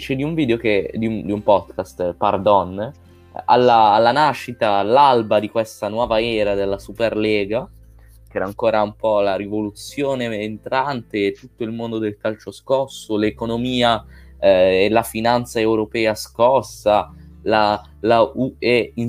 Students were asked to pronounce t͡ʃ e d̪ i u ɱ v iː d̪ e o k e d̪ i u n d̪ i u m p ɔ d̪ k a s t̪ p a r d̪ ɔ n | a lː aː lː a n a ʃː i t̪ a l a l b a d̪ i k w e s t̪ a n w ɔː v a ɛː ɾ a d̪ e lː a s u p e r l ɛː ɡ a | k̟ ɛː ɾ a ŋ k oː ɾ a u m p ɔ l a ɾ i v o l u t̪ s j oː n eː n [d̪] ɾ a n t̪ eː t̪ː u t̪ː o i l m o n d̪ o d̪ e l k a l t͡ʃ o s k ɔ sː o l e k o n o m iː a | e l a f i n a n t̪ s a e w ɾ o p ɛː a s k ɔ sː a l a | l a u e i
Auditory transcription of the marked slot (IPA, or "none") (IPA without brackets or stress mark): t̪